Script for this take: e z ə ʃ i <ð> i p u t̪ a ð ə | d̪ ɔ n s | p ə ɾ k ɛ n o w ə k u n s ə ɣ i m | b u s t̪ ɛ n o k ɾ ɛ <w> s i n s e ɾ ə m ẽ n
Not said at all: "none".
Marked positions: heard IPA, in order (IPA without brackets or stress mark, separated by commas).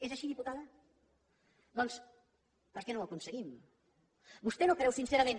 ð, w